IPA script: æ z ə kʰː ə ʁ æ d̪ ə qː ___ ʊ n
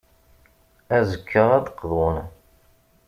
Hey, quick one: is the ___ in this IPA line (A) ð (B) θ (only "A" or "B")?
A